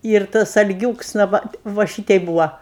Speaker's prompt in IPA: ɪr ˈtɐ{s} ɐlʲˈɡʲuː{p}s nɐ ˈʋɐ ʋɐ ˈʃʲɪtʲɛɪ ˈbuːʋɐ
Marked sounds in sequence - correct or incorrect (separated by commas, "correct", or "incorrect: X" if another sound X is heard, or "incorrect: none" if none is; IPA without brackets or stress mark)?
correct, incorrect: k